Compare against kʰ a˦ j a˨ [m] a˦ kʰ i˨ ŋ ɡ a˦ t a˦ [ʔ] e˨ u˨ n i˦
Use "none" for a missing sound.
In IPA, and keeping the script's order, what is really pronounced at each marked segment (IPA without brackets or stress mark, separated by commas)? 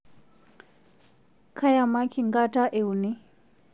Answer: m, ʔ